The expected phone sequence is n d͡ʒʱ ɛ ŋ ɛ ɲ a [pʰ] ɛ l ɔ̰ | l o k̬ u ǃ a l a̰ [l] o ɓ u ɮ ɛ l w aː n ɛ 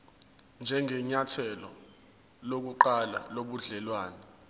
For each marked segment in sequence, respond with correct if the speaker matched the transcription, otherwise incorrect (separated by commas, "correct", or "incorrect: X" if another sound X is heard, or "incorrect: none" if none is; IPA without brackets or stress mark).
incorrect: tʰ, correct